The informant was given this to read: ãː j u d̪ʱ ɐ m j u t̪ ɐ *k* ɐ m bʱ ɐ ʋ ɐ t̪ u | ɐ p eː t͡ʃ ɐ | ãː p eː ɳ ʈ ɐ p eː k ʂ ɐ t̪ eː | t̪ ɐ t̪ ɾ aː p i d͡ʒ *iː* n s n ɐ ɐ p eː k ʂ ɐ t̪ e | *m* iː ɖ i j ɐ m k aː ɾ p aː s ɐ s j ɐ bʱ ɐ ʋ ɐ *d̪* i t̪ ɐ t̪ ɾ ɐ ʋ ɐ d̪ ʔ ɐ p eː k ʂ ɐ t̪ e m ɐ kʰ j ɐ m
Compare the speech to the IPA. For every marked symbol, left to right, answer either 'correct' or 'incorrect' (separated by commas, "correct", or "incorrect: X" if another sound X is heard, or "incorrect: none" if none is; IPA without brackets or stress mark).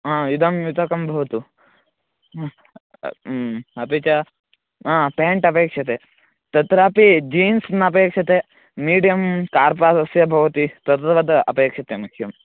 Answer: correct, correct, correct, incorrect: t̪